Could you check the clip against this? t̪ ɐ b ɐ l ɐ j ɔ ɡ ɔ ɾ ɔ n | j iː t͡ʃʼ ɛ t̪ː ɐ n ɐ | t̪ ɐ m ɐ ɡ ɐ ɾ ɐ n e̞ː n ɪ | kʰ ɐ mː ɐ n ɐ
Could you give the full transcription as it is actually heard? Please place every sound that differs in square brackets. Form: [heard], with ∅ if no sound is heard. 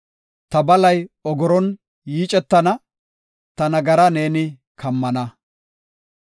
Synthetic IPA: t̪ ɐ b ɐ l ɐ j ɔ ɡ ɔ ɾ ɔ n | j iː t͡ʃʼ ɛ t̪ː ɐ n ɐ | t̪ ɐ [n] ɐ ɡ ɐ ɾ ɐ n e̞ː n ɪ | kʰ ɐ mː ɐ n ɐ

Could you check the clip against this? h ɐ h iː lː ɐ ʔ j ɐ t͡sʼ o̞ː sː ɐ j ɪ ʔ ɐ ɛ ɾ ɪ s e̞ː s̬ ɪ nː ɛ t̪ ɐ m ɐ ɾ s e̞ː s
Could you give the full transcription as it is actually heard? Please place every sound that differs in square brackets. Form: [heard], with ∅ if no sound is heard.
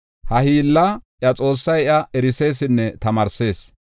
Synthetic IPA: h ɐ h iː lː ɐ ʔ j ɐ t͡sʼ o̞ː sː ɐ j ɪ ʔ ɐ ɛ ɾ ɪ s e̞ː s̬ ɪ nː ɛ t̪ ɐ m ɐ ɾ s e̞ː s

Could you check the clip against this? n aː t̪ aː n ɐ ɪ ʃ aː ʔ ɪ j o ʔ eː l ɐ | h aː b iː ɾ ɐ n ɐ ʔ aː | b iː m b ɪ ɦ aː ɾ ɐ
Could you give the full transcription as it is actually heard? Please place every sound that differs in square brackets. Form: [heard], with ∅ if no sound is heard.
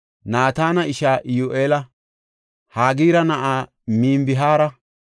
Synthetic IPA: n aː t̪ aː n ɐ ɪ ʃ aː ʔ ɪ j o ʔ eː l ɐ | h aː [ɡ] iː ɾ ɐ n ɐ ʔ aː | [m] iː m b ɪ ɦ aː ɾ ɐ

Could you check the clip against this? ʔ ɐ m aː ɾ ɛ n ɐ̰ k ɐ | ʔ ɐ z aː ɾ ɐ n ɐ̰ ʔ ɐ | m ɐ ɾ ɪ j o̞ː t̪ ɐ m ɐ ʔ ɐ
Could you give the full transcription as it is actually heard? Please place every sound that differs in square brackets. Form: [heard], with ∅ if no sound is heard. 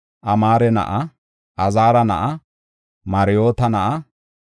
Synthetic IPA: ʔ ɐ m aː ɾ ɛ n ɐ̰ [ʔ] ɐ | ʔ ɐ z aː ɾ ɐ n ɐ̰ ʔ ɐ | m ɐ ɾ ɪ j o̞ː t̪ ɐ [n] ɐ ʔ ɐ

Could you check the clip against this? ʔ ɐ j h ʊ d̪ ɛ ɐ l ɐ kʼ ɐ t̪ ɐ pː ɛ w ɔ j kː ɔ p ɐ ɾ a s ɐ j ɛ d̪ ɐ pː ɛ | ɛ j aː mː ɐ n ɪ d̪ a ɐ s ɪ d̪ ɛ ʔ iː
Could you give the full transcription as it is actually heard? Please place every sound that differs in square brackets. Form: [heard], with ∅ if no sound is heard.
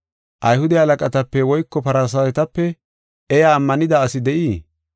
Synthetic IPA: ʔ ɐ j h ʊ d̪ ɛ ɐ l ɐ kʼ ɐ t̪ ɐ pː ɛ w ɔ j kː ɔ p ɐ ɾ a s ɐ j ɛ [t̪] ɐ pː ɛ | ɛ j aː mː ɐ n ɪ d̪ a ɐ s ɪ d̪ ɛ ʔ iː

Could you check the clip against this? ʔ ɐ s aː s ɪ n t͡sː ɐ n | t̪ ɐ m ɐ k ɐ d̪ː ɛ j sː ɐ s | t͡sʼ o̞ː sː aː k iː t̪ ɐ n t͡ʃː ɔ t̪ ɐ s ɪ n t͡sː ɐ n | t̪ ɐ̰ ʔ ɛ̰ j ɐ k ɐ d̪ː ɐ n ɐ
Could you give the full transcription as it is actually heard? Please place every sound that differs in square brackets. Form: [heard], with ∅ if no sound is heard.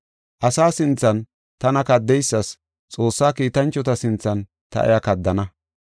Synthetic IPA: ʔ ɐ s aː s ɪ n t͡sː ɐ n | t̪ ɐ [n] ɐ k ɐ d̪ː ɛ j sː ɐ s | t͡sʼ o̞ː sː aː k iː t̪ ɐ n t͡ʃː ɔ t̪ ɐ s ɪ n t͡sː ɐ n | t̪ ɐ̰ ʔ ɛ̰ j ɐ k ɐ d̪ː ɐ n ɐ

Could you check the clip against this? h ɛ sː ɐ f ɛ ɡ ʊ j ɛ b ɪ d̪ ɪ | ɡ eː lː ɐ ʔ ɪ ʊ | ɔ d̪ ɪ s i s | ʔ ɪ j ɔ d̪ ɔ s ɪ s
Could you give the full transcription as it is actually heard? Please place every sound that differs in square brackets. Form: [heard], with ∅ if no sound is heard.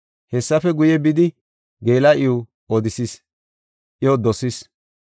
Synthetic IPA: h ɛ sː ɐ f ɛ ɡ ʊ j ɛ b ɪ d̪ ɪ | ɡ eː [l] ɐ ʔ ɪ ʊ | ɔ d̪ ɪ s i s | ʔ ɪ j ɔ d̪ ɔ s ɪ s

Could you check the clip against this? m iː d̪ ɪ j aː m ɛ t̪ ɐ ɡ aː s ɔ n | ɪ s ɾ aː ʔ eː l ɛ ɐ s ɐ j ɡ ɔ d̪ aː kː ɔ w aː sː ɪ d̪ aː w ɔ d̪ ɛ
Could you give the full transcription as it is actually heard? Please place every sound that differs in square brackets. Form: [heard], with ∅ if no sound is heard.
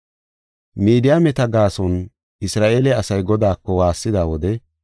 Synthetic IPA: m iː d̪ ɪ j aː m ɛ t̪ ɐ ɡ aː s ɔ n | ɪ s ɾ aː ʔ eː l ɛ ɐ s ɐ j ɡ ɔ d̪ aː kː ɔ w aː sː ɪ d̪ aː w ɔ d̪ ɛ

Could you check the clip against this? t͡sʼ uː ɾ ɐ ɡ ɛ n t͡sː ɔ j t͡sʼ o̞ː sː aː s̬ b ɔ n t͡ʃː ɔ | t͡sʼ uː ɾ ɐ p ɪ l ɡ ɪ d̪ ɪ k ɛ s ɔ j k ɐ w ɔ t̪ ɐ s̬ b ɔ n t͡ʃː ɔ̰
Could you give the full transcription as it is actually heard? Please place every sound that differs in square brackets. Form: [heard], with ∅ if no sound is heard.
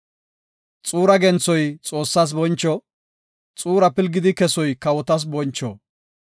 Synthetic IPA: t͡sʼ uː ɾ ɐ ɡ ɛ n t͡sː ɔ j t͡sʼ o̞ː sː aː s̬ b ɔ n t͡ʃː ɔ | t͡sʼ uː ɾ ɐ p ɪ l ɡ ɪ d̪ ɪ k ɛ s ɔ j k ɐ w ɔ t̪ ɐ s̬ b ɔ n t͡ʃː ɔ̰

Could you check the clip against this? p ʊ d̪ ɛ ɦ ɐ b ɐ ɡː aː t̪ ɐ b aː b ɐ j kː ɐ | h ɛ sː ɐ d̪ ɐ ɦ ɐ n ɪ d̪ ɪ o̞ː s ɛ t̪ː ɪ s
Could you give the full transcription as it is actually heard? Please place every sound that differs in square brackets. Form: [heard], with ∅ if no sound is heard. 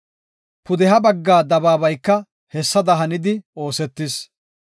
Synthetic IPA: p ʊ d̪ ɛ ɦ ɐ b ɐ ɡː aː [d̪] ɐ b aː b ɐ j kː ɐ | h ɛ sː ɐ d̪ ɐ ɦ ɐ n ɪ d̪ ɪ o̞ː s ɛ t̪ː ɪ s

